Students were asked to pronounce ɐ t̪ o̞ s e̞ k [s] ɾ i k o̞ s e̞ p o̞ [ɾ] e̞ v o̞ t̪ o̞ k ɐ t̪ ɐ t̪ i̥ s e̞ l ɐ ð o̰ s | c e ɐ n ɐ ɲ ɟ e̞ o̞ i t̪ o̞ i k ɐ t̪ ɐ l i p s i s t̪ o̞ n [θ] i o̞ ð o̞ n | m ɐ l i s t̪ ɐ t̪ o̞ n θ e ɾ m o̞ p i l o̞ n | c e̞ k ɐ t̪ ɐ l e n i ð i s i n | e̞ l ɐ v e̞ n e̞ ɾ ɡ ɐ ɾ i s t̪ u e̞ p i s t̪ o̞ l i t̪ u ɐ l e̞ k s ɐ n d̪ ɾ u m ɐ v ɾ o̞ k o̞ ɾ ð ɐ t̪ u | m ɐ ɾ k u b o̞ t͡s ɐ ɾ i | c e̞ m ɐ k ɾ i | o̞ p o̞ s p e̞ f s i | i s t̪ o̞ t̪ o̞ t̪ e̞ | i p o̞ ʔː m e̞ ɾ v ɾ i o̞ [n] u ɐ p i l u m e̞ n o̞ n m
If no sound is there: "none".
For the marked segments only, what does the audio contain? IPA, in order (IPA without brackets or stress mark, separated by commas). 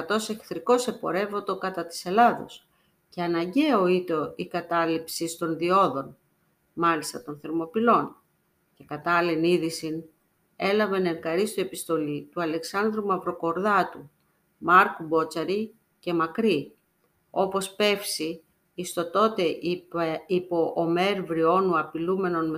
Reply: θ, ɾ, ð, n